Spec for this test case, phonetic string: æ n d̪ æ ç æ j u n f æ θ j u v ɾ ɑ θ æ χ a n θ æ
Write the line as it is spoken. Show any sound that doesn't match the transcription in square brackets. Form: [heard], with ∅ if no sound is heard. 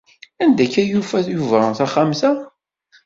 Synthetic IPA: æ n d̪ æ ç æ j u [∅] f æ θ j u v ɾ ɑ θ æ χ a [m] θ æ